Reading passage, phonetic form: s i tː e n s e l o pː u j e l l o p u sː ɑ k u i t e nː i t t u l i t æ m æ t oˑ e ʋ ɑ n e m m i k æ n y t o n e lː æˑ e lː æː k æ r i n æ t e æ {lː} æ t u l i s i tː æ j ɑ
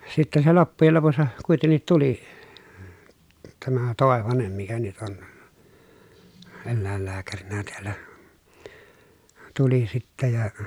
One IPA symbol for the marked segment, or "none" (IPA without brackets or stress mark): lː